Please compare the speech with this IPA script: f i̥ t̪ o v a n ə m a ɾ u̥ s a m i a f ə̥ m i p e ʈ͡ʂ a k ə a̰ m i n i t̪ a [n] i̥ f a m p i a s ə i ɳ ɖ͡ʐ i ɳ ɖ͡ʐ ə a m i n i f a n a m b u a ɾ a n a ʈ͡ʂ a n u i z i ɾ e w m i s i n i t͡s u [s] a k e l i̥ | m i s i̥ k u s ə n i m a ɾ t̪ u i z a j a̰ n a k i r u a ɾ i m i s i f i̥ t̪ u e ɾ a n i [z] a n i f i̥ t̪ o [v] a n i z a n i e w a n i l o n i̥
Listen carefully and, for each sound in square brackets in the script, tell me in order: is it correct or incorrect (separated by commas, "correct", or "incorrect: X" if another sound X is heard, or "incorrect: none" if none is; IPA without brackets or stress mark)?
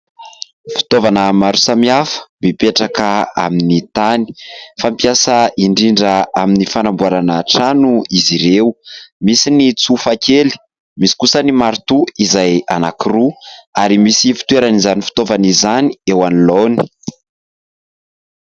correct, incorrect: f, correct, correct